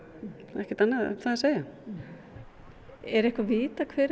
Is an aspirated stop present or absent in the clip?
present